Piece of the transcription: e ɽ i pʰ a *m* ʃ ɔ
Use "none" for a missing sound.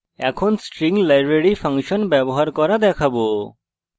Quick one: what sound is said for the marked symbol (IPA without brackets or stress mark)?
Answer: ŋ